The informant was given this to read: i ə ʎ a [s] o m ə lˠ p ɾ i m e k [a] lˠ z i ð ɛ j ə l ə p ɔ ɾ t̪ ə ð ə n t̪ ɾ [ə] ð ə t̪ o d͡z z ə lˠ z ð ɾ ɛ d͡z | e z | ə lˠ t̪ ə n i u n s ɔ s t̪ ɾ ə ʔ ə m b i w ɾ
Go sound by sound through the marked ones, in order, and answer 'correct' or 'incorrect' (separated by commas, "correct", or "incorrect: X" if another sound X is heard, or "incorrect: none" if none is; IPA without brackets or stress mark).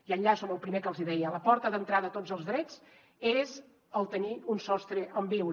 correct, incorrect: ə, incorrect: a